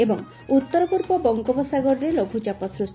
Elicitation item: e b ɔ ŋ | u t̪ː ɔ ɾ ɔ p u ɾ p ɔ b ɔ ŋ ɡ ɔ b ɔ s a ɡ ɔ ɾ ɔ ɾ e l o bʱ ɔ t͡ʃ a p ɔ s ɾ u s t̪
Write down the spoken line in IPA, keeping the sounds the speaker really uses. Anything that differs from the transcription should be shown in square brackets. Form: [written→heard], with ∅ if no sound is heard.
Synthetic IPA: e b ɔ ŋ | u t̪ː ɔ ɾ ɔ p u ɾ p ɔ b ɔ ŋ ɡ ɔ b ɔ s a ɡ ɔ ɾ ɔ ɾ e l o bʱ [ɔ→u] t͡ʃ a p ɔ s ɾ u s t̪